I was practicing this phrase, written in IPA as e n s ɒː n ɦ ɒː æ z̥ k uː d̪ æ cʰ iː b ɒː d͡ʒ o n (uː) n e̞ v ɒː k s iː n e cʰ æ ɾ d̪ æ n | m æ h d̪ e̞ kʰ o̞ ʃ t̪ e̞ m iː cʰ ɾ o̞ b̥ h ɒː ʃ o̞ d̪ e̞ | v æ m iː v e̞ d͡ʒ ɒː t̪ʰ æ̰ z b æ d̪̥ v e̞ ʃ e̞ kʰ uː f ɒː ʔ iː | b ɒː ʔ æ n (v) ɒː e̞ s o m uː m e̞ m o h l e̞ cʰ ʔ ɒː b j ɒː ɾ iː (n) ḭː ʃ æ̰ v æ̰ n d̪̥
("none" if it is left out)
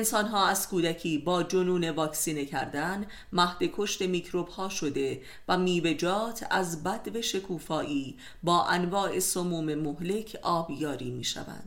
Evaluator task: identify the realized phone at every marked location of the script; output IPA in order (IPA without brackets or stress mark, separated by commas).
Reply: uː, v, m